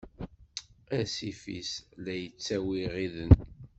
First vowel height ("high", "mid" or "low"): low